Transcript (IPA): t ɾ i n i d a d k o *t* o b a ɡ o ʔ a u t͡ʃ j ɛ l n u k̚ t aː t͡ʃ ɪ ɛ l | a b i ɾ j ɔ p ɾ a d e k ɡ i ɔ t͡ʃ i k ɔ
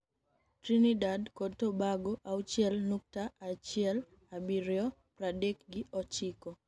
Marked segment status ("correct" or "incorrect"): correct